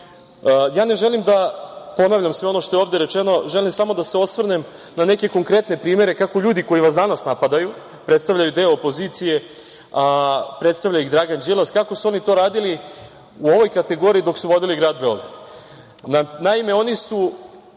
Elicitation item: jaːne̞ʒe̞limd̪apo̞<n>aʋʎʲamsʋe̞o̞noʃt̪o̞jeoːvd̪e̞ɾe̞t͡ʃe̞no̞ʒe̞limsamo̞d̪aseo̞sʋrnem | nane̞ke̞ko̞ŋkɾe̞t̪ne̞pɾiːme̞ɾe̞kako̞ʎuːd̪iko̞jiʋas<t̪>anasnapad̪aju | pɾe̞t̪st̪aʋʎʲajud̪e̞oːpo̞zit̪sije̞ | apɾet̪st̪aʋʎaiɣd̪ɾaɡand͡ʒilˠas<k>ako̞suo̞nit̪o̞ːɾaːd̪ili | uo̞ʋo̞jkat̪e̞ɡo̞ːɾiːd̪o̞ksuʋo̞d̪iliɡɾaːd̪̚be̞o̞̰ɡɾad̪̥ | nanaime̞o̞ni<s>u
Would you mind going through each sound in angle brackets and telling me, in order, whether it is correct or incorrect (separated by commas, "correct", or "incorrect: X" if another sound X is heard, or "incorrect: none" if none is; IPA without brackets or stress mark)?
correct, incorrect: d̪, correct, correct